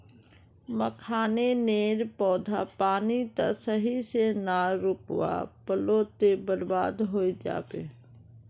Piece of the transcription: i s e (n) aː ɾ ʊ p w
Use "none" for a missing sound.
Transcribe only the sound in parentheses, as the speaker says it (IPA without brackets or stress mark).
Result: n